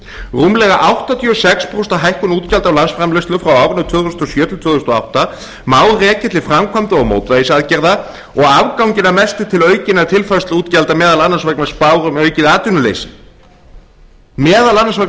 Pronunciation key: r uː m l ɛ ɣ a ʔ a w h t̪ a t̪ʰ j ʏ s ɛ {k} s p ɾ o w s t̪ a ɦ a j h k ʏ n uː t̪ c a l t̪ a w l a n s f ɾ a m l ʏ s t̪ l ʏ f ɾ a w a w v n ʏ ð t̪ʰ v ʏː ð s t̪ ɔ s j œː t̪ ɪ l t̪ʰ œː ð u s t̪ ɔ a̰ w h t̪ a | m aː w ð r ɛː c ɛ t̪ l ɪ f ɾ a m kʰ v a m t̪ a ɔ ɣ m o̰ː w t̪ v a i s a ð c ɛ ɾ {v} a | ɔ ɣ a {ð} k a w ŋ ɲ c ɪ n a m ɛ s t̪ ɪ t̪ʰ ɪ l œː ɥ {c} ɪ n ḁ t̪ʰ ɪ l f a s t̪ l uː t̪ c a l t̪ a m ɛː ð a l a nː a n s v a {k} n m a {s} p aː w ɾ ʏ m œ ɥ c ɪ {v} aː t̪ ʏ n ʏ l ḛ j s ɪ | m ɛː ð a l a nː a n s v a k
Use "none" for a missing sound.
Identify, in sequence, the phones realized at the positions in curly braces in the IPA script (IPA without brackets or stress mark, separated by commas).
k, ð, v, c, k, s, ð